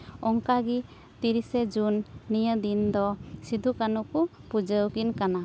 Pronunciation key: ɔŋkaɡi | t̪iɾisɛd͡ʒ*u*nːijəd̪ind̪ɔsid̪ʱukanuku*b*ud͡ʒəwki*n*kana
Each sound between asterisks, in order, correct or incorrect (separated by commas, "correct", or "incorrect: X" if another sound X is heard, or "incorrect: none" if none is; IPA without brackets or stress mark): correct, incorrect: p, correct